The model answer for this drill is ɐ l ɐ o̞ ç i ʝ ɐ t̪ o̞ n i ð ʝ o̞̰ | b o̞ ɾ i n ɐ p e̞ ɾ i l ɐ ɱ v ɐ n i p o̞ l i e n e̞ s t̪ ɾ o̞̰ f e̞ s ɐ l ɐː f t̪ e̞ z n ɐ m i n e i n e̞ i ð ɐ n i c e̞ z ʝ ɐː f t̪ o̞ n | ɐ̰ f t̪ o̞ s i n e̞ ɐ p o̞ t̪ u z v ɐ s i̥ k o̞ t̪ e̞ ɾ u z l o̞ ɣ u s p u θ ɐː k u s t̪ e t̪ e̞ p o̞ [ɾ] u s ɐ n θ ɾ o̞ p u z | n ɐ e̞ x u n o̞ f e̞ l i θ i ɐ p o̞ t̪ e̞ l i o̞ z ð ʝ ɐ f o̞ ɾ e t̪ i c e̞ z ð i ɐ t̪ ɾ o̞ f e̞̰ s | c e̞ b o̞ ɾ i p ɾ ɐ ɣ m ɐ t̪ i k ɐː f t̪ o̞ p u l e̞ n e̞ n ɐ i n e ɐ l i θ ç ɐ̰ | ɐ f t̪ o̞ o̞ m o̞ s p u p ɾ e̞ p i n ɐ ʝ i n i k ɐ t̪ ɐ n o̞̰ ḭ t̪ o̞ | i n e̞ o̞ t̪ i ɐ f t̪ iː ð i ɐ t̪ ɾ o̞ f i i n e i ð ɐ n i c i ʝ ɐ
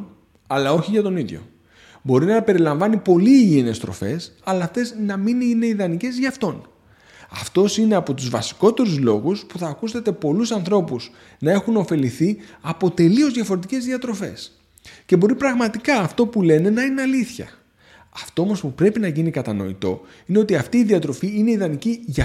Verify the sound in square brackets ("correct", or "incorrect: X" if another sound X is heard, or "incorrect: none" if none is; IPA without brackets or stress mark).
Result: incorrect: l